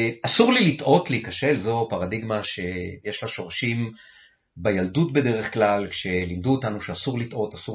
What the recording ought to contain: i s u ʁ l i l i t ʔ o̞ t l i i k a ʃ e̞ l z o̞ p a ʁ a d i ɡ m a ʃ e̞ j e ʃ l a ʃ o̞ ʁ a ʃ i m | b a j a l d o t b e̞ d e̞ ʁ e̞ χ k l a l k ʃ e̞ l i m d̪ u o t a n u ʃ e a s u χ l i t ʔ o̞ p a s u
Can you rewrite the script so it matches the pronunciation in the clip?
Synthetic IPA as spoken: a s u ʁ l i l i t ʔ o̞ t l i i k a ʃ e̞ l z o̞ p a ʁ a d i ɡ m a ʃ e̞ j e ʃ l a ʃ o̞ ʁ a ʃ i m | b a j a l d u t b e̞ d e̞ ʁ e̞ χ k l a l k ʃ e̞ l i m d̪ u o t a n u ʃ e a s u ʁ l i t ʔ o̞ t a s u